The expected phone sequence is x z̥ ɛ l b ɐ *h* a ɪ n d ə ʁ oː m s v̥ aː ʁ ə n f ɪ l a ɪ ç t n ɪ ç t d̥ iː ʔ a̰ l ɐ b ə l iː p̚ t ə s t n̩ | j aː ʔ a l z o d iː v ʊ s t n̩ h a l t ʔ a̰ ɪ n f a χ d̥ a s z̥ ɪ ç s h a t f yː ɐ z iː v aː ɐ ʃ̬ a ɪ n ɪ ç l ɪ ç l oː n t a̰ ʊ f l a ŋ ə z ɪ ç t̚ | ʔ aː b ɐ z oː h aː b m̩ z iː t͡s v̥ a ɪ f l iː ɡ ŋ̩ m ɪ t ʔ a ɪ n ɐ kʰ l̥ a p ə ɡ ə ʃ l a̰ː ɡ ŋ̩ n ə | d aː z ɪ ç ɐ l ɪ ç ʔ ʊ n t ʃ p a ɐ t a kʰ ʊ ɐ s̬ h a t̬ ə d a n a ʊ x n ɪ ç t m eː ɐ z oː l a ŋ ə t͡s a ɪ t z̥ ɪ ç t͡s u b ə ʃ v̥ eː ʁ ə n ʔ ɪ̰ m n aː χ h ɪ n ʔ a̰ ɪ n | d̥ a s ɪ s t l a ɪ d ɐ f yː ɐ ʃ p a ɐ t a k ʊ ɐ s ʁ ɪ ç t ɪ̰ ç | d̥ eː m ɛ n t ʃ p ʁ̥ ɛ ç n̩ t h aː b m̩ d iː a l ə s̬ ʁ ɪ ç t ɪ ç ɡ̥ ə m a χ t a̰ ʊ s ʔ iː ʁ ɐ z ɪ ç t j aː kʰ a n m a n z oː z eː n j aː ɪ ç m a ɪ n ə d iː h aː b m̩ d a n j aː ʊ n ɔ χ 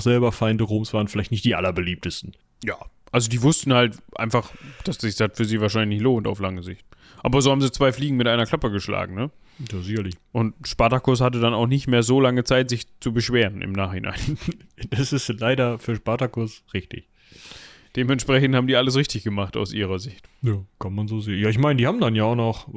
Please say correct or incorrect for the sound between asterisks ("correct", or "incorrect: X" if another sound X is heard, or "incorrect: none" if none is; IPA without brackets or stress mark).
incorrect: f